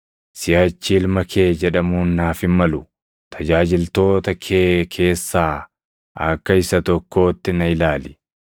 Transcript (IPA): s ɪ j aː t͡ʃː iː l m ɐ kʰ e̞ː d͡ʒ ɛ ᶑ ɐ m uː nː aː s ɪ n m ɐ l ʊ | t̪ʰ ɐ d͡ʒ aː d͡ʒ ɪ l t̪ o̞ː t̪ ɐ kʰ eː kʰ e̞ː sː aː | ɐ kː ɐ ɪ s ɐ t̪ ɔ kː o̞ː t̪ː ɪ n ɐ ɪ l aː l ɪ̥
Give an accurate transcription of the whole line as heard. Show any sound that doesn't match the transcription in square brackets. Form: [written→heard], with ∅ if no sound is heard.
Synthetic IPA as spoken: s ɪ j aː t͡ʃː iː l m ɐ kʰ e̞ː d͡ʒ ɛ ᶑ ɐ m uː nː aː [s→f] ɪ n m ɐ l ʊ | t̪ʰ ɐ d͡ʒ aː d͡ʒ ɪ l t̪ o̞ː t̪ ɐ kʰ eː kʰ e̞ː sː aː | ɐ kː ɐ ɪ s ɐ t̪ ɔ kː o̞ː t̪ː ɪ n ɐ ɪ l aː l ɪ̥